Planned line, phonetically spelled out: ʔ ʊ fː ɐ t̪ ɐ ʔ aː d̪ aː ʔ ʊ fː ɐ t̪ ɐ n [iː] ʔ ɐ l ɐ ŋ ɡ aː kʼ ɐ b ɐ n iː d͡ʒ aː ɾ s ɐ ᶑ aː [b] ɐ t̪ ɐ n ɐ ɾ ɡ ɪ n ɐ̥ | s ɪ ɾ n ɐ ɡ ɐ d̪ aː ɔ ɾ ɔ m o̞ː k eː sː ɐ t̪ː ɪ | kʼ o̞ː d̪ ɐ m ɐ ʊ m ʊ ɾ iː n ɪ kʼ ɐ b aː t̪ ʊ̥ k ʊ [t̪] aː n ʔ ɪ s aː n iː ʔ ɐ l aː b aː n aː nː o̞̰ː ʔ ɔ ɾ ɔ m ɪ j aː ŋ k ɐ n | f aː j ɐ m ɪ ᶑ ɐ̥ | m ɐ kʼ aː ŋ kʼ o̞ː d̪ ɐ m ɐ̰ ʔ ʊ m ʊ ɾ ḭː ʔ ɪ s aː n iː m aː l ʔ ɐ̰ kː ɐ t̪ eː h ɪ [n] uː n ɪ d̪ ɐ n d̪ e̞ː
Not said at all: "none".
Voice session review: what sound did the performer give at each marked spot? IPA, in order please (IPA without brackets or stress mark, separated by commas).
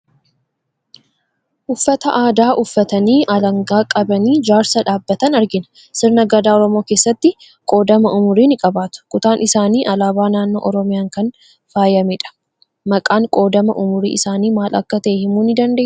iː, bː, t̪, m